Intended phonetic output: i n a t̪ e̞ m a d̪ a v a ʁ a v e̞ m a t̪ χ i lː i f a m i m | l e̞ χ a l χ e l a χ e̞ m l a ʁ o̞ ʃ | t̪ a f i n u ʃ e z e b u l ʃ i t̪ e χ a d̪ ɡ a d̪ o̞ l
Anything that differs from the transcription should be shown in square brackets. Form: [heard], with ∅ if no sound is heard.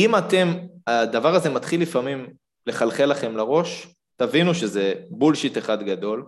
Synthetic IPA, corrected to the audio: i [m] a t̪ e̞ m a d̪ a v a ʁ a [z] e̞ m a t̪ χ i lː i f a m i m | l e̞ χ a l χ e l a χ e̞ m l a ʁ o̞ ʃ | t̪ a [v] i n u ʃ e z e b u l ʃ i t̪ e χ a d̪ ɡ a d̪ o̞ l